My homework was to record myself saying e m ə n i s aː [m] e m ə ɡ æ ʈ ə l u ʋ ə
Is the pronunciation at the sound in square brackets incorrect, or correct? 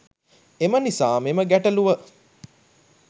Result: correct